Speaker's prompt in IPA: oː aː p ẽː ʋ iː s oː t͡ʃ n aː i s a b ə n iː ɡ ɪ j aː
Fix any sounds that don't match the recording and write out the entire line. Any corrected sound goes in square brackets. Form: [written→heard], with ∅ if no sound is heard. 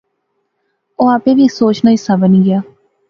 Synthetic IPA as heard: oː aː p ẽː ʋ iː s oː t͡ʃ n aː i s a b ə n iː ɡ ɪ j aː